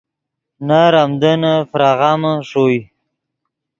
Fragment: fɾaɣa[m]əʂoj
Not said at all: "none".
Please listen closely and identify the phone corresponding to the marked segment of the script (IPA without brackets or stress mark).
m